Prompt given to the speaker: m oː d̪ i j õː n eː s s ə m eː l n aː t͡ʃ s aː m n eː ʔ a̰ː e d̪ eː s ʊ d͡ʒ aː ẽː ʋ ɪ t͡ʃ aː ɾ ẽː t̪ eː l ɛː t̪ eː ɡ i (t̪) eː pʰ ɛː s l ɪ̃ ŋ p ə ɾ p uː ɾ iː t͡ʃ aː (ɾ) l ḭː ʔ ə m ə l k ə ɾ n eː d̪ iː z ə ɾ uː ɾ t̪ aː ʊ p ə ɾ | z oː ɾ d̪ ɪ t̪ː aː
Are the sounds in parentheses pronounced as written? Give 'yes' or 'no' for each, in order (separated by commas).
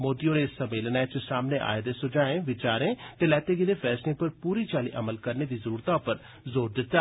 no, no